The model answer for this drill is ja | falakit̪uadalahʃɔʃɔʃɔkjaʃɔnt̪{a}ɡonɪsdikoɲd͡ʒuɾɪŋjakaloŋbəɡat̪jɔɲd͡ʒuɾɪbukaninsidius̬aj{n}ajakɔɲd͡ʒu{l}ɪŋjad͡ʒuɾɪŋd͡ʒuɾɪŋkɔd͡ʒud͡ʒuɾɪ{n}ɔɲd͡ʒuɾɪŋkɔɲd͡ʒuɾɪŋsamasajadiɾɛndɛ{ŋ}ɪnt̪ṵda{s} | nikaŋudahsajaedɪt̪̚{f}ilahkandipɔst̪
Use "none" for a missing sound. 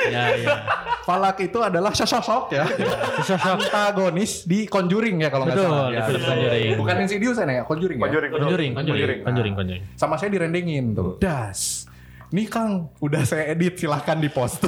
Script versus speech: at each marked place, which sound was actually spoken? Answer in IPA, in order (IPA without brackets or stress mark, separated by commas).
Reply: a, n, ɾ, ŋ, ŋ, s, s